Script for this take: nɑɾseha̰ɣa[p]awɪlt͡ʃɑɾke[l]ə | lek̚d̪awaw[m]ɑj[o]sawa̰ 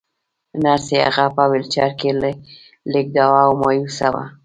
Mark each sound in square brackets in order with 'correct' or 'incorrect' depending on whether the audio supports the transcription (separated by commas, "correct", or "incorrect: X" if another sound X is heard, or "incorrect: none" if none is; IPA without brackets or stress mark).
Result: correct, correct, correct, incorrect: u